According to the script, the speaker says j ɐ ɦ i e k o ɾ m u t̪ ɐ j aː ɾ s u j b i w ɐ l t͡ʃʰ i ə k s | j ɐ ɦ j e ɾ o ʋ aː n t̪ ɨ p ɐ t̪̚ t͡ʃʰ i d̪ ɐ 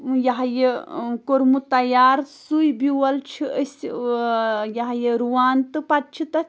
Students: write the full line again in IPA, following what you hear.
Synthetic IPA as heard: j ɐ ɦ j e k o ɾ m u t̪ ɐ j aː ɾ s u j b i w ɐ l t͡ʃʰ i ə s | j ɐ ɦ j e ɾ u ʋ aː n t̪ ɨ p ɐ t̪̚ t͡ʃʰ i t̪ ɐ